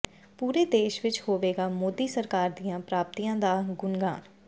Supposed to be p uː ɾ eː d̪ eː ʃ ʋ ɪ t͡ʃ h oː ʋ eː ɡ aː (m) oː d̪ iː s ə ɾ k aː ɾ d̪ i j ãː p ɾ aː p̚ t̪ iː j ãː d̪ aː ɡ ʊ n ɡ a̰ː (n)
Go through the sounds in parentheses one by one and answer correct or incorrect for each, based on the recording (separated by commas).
correct, correct